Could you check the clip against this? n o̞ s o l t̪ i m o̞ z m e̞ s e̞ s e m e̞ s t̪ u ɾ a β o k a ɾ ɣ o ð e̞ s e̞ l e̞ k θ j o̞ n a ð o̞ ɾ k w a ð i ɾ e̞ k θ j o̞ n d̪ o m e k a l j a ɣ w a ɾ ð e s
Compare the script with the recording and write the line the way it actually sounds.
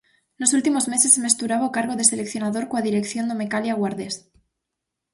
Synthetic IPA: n o̞ s u l t̪ i m o̞ z m e̞ s e̞ s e m e̞ s t̪ u ɾ a β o k a ɾ ɣ o ð e̞ s e̞ l e̞ k θ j o̞ n a ð o̞ ɾ k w a ð i ɾ e̞ k θ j o̞ n d̪ o m e k a l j a ɣ w a ɾ ð e s